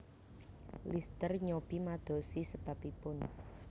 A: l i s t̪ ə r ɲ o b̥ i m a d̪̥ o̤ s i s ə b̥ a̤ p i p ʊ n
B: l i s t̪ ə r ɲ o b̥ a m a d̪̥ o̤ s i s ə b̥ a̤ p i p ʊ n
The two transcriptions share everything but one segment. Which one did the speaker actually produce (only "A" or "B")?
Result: A